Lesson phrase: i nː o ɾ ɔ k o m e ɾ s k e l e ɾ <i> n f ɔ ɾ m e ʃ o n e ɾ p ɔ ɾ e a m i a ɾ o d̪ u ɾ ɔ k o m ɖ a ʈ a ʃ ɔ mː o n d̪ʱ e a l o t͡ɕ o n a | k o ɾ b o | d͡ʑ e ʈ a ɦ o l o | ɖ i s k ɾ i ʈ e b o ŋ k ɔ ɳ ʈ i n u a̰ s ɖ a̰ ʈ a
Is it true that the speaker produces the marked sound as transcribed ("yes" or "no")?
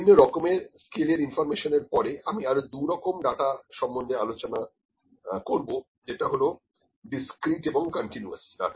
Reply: yes